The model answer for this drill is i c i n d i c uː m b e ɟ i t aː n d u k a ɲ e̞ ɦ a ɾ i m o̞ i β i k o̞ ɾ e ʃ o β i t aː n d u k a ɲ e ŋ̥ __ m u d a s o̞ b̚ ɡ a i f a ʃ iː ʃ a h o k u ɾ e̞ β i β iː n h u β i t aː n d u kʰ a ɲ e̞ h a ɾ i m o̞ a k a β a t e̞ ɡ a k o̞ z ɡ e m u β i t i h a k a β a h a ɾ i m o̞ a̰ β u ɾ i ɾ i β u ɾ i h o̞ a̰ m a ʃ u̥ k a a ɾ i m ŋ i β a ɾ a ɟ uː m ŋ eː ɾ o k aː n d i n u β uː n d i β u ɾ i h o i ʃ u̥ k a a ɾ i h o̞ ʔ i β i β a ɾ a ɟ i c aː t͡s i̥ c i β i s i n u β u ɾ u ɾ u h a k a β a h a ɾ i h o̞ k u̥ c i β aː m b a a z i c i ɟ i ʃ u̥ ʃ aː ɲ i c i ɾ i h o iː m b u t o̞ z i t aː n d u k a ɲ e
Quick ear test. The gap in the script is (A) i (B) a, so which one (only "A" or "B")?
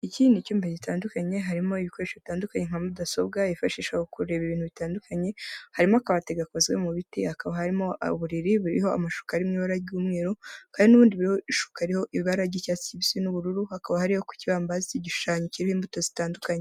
B